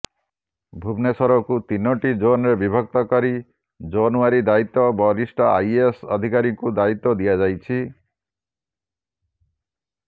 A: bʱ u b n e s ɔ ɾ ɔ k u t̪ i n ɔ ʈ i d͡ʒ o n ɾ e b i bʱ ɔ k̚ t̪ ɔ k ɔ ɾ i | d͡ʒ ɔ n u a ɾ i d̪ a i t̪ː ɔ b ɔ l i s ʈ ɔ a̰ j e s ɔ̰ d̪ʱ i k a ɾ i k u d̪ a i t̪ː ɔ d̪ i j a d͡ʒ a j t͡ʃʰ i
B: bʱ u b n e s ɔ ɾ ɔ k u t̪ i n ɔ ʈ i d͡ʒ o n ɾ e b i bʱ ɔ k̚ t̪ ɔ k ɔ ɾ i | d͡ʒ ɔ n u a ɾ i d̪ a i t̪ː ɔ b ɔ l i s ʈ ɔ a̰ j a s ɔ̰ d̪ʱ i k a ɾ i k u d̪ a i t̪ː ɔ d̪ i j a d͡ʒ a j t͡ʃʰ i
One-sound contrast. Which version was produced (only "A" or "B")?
A